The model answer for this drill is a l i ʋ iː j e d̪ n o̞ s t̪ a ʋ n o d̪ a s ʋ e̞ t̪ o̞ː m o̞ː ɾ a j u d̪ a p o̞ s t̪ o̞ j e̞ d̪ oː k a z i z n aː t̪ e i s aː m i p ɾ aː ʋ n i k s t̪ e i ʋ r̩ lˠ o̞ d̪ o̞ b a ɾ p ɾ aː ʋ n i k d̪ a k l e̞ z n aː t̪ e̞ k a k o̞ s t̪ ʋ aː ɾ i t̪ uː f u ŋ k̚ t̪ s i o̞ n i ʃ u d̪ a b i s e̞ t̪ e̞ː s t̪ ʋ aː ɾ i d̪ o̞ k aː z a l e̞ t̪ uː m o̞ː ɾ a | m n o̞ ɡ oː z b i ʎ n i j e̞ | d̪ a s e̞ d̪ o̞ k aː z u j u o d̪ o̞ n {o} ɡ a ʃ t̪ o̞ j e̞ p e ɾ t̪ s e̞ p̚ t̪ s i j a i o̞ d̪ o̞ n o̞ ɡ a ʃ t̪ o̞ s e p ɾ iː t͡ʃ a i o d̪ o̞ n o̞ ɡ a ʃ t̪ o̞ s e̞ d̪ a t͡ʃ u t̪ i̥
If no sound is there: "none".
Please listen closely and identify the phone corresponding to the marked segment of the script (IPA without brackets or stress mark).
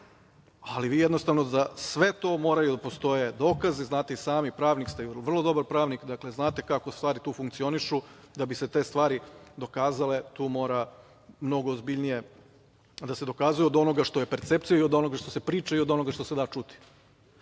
o